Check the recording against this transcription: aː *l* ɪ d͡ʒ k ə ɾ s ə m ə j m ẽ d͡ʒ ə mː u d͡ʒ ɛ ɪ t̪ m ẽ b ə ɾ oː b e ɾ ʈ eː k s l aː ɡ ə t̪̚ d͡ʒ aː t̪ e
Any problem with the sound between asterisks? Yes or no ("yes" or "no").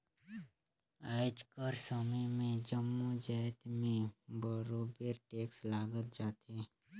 yes